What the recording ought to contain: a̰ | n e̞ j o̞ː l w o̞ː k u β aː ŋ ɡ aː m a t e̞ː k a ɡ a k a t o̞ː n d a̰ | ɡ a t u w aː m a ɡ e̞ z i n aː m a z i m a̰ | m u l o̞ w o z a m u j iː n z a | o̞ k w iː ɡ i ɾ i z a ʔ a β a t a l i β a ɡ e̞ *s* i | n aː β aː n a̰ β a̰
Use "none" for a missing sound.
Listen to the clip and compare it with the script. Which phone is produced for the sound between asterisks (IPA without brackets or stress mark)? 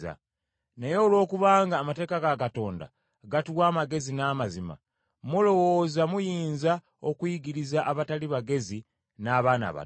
z